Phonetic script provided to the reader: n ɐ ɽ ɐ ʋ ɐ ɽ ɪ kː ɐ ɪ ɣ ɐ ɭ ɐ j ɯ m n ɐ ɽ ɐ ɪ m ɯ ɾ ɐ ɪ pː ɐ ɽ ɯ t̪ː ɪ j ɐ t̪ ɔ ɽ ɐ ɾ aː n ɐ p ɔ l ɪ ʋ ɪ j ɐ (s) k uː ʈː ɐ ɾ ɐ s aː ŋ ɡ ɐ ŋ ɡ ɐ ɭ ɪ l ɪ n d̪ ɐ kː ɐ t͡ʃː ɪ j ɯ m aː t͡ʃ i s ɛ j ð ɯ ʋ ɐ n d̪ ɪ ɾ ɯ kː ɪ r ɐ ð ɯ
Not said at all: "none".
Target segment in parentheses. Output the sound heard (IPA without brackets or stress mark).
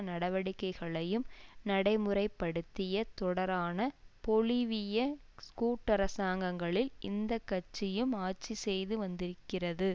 s